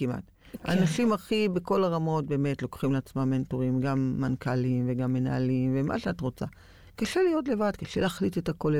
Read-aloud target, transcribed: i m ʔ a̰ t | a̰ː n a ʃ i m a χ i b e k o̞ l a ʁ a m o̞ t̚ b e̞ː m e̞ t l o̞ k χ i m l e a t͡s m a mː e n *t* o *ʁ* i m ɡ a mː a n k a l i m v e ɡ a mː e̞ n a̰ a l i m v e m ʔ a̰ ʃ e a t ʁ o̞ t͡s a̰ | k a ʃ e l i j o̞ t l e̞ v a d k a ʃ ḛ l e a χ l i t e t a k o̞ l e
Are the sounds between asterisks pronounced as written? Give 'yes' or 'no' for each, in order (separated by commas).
yes, yes